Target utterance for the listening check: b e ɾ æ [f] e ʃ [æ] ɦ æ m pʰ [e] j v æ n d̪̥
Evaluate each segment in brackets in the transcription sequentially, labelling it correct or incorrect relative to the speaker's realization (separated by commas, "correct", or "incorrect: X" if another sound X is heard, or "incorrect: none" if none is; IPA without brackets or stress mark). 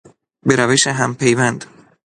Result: incorrect: v, incorrect: e, correct